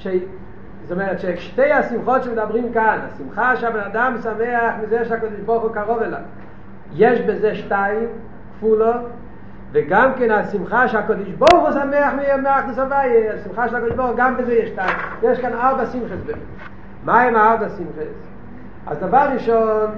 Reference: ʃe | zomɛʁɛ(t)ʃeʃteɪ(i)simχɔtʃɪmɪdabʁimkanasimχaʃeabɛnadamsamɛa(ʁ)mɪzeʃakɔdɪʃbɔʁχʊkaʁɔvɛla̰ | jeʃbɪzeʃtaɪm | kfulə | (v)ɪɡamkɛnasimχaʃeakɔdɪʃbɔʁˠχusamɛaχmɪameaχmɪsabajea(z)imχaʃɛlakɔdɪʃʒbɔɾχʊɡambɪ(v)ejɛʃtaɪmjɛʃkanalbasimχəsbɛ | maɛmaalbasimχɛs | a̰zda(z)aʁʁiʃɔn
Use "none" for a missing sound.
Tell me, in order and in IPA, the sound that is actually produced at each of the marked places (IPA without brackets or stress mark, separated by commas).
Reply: t, a, χ, v, s, z, v